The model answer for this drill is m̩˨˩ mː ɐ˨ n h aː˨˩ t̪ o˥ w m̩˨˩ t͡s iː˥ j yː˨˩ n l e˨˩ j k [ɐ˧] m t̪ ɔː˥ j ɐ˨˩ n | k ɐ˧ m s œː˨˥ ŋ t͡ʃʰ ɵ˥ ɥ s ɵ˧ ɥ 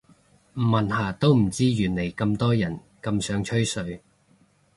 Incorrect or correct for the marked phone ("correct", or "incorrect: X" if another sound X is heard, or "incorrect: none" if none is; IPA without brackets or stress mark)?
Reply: correct